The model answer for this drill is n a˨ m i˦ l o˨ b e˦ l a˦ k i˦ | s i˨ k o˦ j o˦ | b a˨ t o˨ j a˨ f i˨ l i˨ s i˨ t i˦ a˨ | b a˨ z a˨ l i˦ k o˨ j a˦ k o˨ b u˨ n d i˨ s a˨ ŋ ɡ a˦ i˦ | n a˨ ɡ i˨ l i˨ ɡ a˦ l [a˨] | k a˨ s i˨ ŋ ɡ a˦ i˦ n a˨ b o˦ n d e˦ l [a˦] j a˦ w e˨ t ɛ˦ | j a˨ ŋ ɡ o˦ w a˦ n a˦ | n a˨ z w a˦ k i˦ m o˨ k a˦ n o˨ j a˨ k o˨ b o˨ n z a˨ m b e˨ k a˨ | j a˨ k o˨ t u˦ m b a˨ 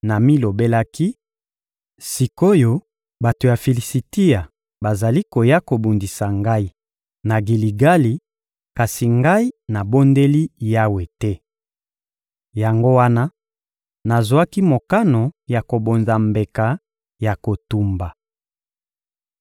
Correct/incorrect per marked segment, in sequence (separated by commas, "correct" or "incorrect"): incorrect, incorrect